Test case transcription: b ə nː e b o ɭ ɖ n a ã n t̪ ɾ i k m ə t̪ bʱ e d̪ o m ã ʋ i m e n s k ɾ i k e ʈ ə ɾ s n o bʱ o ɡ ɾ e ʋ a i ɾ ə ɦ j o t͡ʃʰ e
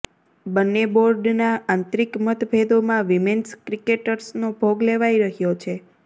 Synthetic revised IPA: b ə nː e b o ɾ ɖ n a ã n t̪ ɾ i k m ə t̪ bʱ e d̪ o m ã ʋ i m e n s k ɾ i k e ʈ ə ɾ s n o bʱ o ɡ l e ʋ a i ɾ ə ɦ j o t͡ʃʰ e